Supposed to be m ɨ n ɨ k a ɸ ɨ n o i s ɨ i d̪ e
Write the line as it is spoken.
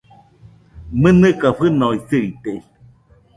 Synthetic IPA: m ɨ n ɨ k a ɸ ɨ n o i s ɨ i t̪ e